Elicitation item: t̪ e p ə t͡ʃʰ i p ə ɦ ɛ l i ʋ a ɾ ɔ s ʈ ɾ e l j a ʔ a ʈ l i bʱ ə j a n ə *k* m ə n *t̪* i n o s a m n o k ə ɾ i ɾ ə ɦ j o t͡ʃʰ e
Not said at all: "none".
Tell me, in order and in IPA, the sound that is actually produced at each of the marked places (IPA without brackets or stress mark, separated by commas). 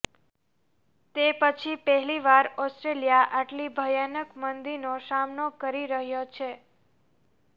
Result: k, d̪